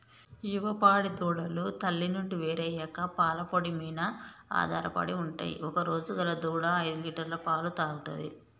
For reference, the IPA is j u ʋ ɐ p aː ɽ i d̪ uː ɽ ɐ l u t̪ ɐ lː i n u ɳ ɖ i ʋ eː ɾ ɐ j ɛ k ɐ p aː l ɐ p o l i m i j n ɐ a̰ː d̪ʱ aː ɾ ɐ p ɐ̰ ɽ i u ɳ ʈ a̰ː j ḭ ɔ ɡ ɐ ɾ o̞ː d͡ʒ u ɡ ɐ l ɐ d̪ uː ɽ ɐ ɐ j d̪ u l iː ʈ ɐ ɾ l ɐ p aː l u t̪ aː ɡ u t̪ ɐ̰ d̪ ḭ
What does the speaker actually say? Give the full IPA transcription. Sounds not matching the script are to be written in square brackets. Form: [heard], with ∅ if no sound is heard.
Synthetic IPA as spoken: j u ʋ ɐ p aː ɽ i d̪ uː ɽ ɐ l u t̪ ɐ lː i n u ɳ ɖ i ʋ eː ɾ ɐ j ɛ k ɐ p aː l ɐ p o [ɽ] i m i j n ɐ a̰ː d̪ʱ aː ɾ ɐ p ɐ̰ ɽ i u ɳ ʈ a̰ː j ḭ ɔ [k] ɐ ɾ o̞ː d͡ʒ u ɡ ɐ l ɐ d̪ uː ɽ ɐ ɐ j d̪ u l iː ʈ ɐ ɾ l ɐ p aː l u t̪ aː ɡ u t̪ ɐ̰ d̪ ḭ